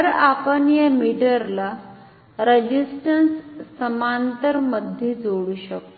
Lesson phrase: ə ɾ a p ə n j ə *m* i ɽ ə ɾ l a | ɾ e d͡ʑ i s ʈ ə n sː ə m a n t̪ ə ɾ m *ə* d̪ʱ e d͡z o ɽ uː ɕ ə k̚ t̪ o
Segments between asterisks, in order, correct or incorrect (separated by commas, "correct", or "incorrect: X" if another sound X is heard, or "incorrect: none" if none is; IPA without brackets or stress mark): correct, correct